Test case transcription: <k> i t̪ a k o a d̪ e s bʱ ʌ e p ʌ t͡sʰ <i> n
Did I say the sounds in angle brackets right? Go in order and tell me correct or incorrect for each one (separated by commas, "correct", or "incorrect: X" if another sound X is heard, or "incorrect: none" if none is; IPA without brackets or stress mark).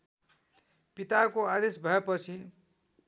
incorrect: p, correct